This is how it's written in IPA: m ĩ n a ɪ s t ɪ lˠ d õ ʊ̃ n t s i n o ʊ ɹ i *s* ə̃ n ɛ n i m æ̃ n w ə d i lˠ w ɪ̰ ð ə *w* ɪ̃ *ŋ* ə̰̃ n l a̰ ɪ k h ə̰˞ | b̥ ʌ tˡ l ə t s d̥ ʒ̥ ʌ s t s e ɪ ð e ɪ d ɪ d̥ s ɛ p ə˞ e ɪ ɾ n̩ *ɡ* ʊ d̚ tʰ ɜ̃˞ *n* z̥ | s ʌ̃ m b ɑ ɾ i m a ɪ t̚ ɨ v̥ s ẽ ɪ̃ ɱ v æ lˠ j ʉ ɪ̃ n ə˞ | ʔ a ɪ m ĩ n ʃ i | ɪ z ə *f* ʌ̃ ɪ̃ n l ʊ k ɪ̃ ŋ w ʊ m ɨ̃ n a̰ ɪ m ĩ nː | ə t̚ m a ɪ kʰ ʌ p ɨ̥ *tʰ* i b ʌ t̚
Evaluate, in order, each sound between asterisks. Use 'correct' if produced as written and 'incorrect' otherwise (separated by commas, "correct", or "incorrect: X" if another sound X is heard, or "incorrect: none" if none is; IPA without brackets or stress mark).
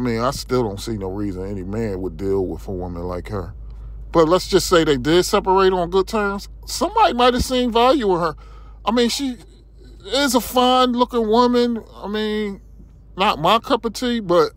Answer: incorrect: z, correct, incorrect: m, correct, incorrect: m, correct, correct